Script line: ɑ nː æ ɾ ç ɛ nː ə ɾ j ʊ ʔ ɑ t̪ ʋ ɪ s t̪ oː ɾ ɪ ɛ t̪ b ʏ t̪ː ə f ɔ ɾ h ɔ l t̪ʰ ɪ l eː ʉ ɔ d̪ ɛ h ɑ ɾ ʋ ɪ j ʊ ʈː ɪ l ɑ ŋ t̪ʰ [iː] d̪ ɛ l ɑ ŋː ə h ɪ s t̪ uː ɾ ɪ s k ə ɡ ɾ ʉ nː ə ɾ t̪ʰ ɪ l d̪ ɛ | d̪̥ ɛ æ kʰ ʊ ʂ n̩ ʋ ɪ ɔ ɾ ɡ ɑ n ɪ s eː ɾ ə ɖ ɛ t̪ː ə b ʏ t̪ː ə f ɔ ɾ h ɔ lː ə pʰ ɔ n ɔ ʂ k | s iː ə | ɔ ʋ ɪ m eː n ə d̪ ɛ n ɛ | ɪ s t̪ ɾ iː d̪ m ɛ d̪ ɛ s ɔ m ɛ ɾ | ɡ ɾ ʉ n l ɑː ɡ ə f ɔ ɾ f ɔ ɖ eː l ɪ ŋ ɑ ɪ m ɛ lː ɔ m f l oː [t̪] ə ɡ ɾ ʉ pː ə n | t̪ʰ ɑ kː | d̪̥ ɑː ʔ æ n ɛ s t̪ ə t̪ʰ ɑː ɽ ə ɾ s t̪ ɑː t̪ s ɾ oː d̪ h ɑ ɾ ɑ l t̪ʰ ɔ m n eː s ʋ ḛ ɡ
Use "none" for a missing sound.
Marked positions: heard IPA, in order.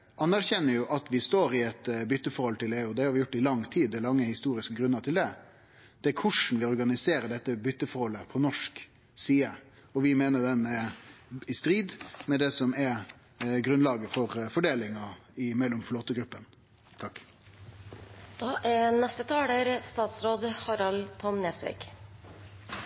iː, t̪

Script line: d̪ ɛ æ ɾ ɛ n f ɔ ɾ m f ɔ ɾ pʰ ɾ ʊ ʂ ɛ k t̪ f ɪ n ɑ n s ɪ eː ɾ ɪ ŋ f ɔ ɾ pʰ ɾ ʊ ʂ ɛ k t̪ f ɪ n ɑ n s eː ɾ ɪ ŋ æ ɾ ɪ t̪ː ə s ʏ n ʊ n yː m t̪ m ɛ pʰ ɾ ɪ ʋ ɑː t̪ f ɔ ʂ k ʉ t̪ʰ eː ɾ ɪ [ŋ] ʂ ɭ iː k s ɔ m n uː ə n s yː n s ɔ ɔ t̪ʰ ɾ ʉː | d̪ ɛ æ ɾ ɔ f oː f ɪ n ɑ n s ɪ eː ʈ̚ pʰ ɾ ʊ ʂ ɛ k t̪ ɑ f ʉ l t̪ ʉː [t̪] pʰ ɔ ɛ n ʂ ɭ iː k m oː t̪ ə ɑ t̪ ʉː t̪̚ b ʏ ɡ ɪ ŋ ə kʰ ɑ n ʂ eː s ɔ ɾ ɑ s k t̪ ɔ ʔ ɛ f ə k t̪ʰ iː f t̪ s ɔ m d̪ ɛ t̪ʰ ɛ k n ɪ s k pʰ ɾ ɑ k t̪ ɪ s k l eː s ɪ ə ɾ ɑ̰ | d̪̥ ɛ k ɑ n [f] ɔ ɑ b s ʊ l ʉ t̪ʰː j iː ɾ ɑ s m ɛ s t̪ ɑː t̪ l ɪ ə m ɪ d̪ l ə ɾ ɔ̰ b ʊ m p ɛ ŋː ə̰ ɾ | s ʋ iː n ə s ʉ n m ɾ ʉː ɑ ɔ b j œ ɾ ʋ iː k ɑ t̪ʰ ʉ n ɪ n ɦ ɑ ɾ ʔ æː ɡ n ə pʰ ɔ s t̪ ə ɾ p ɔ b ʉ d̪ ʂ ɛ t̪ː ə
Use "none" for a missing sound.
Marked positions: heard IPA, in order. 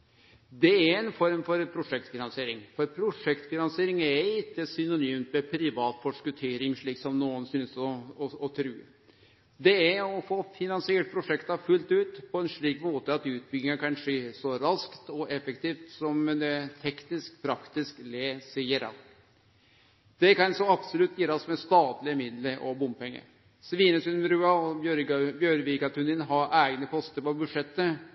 ŋ, t̪, s

